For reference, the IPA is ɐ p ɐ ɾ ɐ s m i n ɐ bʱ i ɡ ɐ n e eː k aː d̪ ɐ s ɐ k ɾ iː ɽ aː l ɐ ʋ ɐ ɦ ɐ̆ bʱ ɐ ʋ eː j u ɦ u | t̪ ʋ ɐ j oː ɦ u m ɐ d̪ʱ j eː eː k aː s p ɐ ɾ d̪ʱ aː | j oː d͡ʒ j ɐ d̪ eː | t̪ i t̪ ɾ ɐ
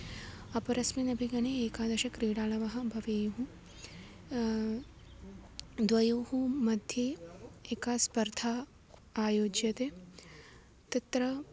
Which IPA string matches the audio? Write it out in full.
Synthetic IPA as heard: ɐ p ɐ ɾ ɐ s m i n ɐ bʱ i ɡ ɐ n e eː k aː d̪ ɐ ʃ ɐ k ɾ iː ɽ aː l ɐ ʋ ɐ ɦ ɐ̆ bʱ ɐ ʋ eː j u ɦ u | d̪ ʋ ɐ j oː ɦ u m ɐ d̪ʱ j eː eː k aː s p ɐ ɾ d̪ʱ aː | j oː d͡ʒ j ɐ t̪ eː | t̪ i t̪ ɾ ɐ